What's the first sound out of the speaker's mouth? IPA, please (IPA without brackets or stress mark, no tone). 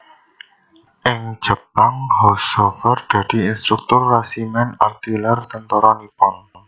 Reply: ʔ